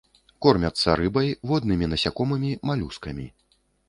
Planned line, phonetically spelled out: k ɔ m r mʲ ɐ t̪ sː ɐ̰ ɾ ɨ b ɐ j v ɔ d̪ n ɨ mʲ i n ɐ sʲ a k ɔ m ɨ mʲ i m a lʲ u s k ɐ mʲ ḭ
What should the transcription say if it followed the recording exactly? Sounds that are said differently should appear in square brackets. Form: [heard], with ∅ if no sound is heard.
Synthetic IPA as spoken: k ɔ [∅] r mʲ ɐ t̪ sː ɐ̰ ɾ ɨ b ɐ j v ɔ d̪ n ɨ mʲ i n ɐ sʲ a k ɔ m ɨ mʲ i m a lʲ u s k ɐ mʲ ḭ